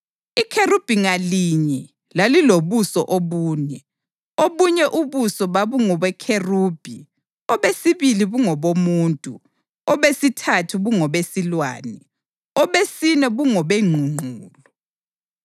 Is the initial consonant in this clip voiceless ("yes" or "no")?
yes